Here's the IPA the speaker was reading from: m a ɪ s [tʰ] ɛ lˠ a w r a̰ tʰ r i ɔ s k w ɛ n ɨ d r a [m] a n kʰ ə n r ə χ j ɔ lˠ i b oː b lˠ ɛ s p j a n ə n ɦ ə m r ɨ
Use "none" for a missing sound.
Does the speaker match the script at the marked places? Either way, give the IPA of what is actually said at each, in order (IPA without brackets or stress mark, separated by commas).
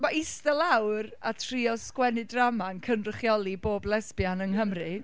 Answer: t, m